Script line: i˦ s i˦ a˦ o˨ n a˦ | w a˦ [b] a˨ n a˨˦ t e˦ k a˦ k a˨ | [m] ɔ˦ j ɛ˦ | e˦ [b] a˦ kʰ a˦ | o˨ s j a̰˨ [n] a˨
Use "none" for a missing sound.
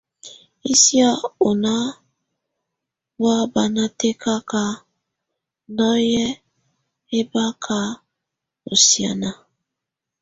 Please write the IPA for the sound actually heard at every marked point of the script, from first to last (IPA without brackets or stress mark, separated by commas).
b, n, b, n